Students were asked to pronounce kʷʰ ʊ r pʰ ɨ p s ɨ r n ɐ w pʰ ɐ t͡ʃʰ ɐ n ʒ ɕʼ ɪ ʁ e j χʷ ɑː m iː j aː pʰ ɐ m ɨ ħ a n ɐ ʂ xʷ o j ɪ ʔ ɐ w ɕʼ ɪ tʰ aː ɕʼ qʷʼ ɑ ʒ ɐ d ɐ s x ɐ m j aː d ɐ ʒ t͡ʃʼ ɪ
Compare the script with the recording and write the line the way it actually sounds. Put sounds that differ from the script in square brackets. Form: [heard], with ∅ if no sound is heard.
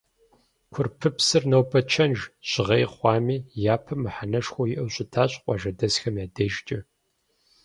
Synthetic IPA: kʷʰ ʊ r pʰ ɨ p s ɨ r n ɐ w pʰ ɐ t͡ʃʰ ɐ n ʒ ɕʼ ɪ ʁ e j χʷ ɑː m iː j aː pʰ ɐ m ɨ ħ a n ɐ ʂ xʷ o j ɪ ʔ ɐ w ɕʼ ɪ tʰ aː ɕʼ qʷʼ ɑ ʒ ɐ d ɐ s x ɐ m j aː d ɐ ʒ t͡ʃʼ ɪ